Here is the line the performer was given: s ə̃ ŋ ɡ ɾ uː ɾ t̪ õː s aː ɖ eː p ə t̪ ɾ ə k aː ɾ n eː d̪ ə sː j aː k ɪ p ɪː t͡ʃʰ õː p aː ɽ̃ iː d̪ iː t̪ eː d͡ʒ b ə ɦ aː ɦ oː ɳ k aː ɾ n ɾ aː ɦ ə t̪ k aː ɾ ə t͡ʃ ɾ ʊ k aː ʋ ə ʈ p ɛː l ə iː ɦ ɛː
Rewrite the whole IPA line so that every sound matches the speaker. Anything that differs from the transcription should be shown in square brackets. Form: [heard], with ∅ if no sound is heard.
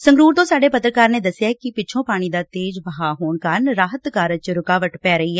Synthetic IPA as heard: s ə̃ ŋ ɡ ɾ uː ɾ t̪ õː s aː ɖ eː p ə t̪ ɾ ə k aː ɾ n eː d̪ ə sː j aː k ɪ p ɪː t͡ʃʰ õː p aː ɽ̃ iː d̪ [aː] t̪ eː d͡ʒ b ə ɦ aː ɦ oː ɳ k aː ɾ n ɾ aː ɦ ə t̪ k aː ɾ ə t͡ʃ ɾ ʊ k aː ʋ ə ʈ p ɛː [ɾ] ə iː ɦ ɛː